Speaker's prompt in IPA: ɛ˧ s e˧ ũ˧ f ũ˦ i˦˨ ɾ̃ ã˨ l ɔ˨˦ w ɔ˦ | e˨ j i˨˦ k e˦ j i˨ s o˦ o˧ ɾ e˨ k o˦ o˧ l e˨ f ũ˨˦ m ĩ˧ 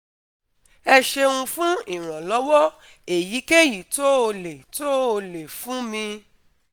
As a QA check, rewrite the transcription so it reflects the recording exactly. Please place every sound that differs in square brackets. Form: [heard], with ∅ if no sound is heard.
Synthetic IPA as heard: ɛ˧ [ʃ] e˧ ũ˧ f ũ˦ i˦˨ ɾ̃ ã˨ l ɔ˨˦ w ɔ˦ | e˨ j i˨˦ k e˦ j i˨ [t] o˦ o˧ [l] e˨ [t] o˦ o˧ l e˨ f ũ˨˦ m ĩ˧